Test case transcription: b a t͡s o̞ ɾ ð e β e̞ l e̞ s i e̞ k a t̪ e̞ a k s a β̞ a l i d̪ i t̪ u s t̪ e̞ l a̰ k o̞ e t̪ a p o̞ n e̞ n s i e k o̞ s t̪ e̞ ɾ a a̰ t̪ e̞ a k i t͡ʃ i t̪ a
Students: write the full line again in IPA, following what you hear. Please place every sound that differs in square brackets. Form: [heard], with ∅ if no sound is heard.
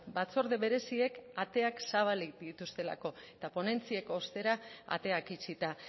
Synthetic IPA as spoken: b a t͡s o̞ ɾ ð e β e̞ [ɾ] e̞ s i e̞ k a t̪ e̞ a k s a β̞ a l i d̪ i t̪ u s t̪ e̞ l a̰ k o̞ e t̪ a p o̞ n e̞ n [t͡s] i e k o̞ s t̪ e̞ ɾ a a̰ t̪ e̞ a k i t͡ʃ i t̪ a